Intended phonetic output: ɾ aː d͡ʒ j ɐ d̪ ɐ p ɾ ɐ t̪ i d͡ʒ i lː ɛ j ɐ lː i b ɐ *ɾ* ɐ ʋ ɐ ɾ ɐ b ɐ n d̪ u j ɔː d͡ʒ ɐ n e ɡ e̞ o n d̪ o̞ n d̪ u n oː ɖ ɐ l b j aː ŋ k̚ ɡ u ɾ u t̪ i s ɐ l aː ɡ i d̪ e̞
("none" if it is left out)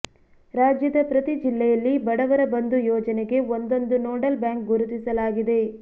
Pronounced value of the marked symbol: ɽ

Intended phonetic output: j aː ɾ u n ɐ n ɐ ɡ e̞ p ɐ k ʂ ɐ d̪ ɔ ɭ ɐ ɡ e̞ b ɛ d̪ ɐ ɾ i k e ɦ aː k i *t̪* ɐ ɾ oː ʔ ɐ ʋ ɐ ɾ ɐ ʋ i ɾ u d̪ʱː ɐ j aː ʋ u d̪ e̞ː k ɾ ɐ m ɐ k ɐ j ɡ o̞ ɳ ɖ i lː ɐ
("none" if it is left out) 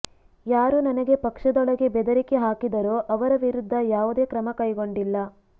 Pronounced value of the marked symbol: d̪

